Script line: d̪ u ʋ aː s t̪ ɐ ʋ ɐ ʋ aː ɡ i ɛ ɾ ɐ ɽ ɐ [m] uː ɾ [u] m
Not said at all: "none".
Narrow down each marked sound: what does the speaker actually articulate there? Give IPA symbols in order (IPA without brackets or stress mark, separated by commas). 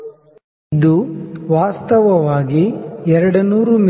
n, u